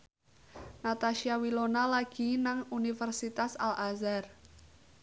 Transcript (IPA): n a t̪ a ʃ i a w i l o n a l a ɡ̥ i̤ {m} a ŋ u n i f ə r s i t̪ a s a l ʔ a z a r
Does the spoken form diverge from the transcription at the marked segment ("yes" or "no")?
yes